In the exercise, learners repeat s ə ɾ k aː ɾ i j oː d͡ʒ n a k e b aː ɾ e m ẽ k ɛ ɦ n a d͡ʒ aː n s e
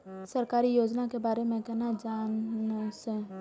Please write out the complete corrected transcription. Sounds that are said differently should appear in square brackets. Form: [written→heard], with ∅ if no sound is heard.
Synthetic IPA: s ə ɾ k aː ɾ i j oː d͡ʒ n a k e b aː ɾ e m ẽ k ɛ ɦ n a d͡ʒ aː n s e